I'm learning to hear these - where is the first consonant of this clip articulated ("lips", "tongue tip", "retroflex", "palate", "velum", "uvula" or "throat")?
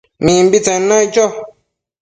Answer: lips